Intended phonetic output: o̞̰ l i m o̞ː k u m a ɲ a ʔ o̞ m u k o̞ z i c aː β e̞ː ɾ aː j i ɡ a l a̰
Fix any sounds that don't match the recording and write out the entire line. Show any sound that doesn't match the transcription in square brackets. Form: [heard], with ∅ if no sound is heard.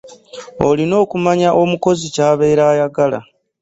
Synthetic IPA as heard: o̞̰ l i [n] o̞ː k u m a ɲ a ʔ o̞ m u k o̞ z i c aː β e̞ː ɾ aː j [a] ɡ a l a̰